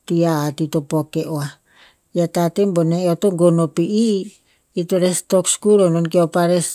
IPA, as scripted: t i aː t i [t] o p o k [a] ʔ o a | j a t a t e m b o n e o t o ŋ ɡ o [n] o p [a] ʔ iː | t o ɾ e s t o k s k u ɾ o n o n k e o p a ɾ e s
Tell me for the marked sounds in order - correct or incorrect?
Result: correct, incorrect: e, correct, incorrect: i

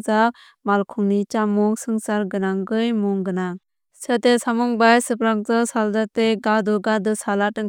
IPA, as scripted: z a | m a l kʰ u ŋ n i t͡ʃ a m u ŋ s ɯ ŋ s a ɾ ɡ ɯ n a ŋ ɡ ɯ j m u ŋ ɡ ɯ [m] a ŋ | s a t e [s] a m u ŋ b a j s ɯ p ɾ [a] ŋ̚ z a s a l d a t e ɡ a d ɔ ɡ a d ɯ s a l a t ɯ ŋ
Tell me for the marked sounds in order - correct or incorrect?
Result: incorrect: n, correct, correct

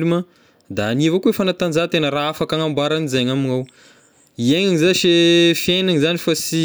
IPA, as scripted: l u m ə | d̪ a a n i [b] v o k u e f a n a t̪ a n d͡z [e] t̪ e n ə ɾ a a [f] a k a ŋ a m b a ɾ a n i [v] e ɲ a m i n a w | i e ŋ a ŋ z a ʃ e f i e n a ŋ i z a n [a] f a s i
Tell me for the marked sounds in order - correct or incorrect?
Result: incorrect: none, incorrect: a, correct, incorrect: z, incorrect: i

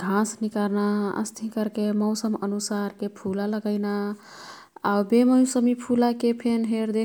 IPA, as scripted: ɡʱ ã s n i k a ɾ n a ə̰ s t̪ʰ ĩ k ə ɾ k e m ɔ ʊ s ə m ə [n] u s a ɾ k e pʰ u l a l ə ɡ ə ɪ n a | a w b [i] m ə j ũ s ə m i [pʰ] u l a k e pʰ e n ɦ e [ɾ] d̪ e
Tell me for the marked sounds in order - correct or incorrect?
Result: correct, incorrect: e, correct, correct

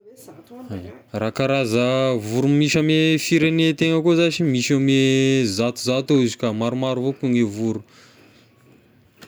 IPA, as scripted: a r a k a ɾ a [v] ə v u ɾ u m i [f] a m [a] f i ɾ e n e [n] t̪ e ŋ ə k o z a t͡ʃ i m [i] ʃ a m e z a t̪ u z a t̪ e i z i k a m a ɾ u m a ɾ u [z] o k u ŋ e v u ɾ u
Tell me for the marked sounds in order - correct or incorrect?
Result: incorrect: z, incorrect: ʃ, incorrect: e, incorrect: none, correct, incorrect: v

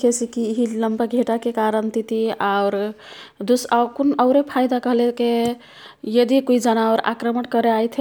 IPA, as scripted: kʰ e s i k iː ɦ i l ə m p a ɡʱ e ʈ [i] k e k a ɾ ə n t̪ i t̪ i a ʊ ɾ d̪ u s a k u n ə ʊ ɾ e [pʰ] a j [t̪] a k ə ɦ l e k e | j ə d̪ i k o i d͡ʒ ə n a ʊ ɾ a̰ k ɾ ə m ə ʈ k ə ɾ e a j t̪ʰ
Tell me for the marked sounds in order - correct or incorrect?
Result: incorrect: a, correct, incorrect: d̪

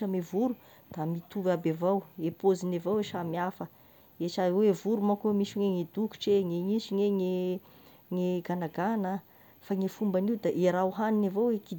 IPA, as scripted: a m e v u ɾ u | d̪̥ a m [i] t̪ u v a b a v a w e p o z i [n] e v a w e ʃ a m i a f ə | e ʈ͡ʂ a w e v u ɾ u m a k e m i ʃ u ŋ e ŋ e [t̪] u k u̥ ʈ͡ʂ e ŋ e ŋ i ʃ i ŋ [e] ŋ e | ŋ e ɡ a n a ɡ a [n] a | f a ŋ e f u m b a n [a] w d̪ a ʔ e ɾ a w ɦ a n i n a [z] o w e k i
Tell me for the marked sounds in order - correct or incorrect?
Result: correct, correct, incorrect: d̪, correct, correct, incorrect: i, incorrect: v

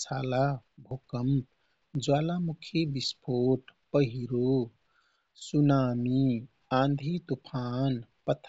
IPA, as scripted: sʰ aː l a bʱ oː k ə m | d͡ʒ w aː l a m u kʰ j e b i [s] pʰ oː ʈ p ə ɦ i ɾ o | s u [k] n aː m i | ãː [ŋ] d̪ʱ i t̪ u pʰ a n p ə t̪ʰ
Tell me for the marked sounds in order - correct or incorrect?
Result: correct, incorrect: none, incorrect: n

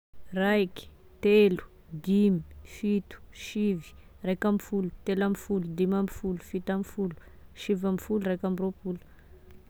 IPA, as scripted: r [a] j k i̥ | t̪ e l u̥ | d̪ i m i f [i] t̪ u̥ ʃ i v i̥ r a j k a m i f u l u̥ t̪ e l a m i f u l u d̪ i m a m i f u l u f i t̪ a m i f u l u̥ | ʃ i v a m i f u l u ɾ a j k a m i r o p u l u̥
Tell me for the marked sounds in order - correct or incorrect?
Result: correct, correct

